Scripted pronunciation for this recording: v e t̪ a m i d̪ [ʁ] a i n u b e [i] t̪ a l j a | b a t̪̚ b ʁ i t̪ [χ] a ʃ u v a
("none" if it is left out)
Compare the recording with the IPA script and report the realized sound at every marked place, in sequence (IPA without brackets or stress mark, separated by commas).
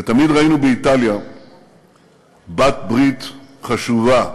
ʁ, i, χ